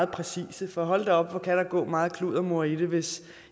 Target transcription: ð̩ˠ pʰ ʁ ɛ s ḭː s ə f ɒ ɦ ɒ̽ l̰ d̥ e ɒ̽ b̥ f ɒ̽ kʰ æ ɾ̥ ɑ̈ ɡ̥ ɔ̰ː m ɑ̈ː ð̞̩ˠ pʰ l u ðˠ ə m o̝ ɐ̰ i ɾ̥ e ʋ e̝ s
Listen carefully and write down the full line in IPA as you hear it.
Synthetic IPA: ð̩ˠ pʰ ʁ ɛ s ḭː s ə f ɒ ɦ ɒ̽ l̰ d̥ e ɒ̽ b̥ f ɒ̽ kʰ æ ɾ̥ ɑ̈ ɡ̥ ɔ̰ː m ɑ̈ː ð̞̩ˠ kʰ l u ðˠ ɐ m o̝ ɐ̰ i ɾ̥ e ʋ e̝ s